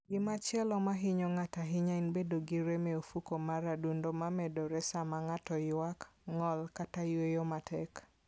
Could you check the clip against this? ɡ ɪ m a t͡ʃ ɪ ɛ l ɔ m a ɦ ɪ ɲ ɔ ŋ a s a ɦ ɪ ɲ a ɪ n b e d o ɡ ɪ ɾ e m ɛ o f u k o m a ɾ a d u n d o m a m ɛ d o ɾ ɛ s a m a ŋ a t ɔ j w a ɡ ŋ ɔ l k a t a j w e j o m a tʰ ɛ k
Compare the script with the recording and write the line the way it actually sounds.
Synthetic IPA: ɡ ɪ m a t͡ʃ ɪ ɛ l ɔ m a ɦ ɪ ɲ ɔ ŋ a t a ɦ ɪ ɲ a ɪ n b e d o ɡ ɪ ɾ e m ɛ o f u k o m a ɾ a d u n d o m a m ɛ d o ɾ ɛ s a m a ŋ a t ɔ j w a k ŋ ɔ l k a t a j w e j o m a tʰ ɛ k